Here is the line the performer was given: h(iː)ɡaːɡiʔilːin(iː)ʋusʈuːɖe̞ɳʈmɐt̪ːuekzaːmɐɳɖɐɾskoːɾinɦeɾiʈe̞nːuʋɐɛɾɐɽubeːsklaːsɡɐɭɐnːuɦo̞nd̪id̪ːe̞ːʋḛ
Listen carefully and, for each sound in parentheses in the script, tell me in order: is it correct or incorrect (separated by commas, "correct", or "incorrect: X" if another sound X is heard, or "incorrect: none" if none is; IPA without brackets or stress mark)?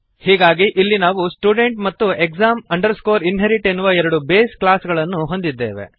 correct, incorrect: aː